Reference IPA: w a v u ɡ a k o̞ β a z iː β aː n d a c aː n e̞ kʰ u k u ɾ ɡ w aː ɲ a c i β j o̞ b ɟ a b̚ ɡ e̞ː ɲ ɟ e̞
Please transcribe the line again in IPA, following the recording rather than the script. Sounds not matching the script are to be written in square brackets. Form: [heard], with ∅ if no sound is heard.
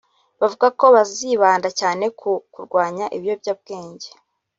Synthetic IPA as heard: [β] a v u ɡ a k o̞ β a z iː β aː n d a c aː n e̞ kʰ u k u ɾ ɡ w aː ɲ a [ʔ] i β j o̞ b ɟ a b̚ ɡ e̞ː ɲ ɟ e̞